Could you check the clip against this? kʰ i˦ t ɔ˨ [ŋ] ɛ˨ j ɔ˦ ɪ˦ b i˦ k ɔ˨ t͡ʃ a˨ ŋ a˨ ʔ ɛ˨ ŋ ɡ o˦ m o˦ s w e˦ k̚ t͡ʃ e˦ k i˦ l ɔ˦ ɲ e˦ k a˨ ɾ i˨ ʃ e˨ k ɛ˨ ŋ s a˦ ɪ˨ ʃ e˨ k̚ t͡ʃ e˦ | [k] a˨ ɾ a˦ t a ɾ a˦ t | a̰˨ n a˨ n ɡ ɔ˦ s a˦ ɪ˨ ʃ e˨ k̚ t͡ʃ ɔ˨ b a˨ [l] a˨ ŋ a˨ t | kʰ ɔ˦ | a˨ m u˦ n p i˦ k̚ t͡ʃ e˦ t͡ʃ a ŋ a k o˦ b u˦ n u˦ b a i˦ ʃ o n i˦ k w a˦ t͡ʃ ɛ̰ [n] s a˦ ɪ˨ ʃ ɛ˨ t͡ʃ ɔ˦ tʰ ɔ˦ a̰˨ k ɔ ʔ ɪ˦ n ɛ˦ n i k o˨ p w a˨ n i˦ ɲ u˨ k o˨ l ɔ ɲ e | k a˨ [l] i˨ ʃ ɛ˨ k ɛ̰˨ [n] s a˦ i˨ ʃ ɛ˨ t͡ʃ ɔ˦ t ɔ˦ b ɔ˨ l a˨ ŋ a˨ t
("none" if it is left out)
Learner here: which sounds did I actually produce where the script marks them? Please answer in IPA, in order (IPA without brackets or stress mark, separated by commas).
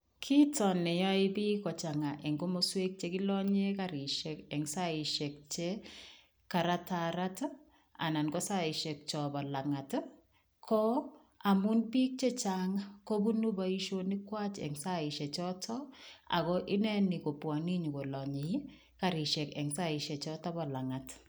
n, k, l, ŋ, ɾ, ŋ